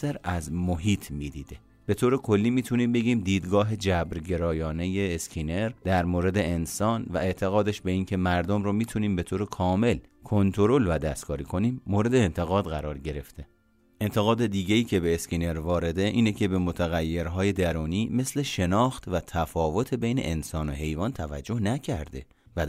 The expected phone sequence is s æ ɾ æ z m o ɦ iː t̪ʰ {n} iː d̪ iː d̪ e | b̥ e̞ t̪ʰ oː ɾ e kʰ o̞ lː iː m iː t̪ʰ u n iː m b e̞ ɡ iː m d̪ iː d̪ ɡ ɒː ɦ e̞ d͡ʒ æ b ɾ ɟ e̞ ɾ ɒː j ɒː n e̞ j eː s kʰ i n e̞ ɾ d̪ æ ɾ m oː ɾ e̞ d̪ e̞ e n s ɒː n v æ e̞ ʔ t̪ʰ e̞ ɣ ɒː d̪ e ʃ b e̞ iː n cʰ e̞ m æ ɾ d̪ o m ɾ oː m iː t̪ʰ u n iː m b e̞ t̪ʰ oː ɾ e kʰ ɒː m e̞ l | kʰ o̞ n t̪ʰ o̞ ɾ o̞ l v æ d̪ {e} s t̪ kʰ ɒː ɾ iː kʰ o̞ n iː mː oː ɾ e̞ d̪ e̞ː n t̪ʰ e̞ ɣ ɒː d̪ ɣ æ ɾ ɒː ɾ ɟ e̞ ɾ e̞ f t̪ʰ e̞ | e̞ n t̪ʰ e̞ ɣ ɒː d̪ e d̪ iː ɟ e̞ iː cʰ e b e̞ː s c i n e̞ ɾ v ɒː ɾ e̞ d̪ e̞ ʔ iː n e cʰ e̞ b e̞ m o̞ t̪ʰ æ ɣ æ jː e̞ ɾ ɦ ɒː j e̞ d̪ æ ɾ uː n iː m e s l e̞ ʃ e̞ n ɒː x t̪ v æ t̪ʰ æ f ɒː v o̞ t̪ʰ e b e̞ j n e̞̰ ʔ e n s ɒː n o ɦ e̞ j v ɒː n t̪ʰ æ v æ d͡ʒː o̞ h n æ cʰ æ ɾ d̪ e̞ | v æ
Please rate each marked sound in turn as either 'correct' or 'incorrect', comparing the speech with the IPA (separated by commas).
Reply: incorrect, incorrect